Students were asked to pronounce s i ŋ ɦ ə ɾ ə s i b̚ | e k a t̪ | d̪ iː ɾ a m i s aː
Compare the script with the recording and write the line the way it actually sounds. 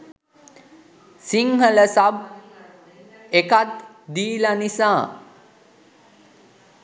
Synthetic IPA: s i ŋ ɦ ə l ə s a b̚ | e k a t̪ | d̪ iː l a n i s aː